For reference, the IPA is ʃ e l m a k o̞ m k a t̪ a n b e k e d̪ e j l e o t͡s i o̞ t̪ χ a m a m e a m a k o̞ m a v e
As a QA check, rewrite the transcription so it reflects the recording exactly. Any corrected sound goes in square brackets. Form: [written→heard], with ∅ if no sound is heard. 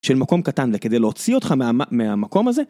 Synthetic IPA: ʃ e l m a k o̞ m k a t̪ a n [b→v] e k e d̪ e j l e o t͡s i o̞ t̪ χ a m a m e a m a k o̞ m a [v→z] e